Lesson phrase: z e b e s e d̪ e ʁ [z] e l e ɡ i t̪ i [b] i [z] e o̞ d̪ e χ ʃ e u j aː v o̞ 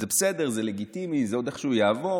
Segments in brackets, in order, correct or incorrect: correct, incorrect: m, correct

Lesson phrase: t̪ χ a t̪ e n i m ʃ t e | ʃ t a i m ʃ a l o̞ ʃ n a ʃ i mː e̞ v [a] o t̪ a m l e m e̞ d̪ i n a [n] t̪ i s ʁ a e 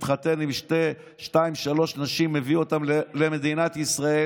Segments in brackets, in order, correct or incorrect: incorrect: i, incorrect: none

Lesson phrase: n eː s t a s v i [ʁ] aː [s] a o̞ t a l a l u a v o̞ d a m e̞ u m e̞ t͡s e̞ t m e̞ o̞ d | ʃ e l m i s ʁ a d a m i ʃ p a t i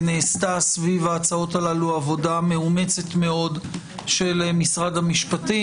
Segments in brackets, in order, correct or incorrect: incorrect: v, incorrect: t͡s

